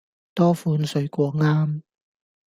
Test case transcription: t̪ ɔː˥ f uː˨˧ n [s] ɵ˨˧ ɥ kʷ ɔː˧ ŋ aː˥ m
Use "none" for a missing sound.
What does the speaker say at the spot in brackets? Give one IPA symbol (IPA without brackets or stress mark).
s